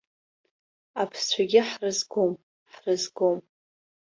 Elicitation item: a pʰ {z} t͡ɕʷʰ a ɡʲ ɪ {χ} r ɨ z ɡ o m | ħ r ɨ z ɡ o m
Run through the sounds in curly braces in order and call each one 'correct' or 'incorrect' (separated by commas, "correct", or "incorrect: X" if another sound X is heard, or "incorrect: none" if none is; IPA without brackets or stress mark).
incorrect: s, incorrect: ħ